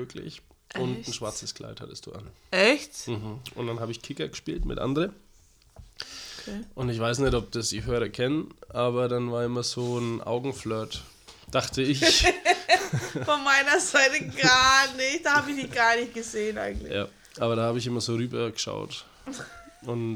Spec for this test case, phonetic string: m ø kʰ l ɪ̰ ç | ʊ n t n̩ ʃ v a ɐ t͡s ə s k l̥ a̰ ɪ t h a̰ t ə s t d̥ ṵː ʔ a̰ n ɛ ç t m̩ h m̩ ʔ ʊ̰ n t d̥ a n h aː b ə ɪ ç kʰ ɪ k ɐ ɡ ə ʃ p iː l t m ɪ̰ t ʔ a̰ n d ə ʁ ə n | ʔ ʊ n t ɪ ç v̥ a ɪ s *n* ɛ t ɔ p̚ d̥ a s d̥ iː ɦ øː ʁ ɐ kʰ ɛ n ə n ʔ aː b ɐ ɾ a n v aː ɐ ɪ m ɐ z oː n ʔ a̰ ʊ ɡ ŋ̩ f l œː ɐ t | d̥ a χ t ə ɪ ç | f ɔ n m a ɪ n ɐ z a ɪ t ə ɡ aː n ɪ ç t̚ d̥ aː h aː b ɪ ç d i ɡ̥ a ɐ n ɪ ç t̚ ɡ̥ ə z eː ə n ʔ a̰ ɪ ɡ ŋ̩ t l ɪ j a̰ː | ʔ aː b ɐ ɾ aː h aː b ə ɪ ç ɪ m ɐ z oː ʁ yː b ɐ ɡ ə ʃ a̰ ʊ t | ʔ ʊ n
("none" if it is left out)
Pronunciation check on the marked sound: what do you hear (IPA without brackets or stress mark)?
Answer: n